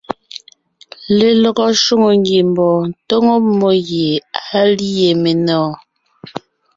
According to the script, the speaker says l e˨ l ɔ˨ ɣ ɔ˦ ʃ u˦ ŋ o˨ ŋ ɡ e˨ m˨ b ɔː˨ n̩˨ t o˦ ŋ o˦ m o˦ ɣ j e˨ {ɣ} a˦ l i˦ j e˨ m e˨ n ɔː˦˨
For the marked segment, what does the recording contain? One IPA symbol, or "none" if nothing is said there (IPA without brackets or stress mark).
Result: none